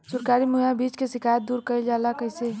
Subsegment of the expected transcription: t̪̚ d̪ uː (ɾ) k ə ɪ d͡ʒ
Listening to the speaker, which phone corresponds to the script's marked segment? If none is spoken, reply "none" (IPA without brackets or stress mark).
ɾ